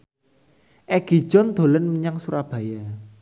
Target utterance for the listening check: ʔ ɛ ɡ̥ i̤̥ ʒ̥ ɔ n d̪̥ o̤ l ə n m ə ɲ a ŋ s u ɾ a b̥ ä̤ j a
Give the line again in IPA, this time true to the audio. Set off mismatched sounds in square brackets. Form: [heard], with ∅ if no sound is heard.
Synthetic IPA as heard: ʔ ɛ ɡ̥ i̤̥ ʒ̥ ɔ n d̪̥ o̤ l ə n m ə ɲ a ŋ s u ɾ a b̥ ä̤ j a